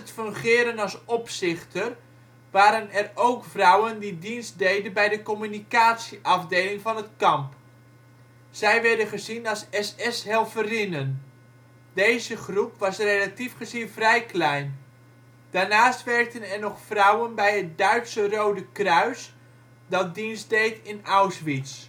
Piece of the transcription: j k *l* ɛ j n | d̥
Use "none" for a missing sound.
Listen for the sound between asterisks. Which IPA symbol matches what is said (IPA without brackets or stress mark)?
l